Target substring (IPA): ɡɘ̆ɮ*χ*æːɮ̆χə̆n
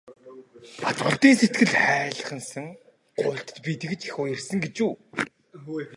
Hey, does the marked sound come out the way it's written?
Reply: yes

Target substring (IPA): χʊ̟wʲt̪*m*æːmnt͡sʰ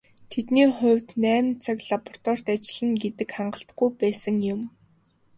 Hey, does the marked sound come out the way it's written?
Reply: no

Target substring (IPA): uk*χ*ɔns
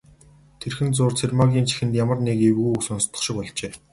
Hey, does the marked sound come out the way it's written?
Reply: no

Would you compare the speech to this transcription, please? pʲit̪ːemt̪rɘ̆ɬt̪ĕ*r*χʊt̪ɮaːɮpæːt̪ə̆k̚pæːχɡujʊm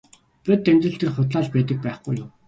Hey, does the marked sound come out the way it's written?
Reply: yes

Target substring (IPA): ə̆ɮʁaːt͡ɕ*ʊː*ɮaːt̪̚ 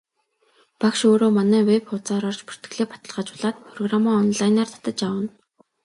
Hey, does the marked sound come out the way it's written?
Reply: no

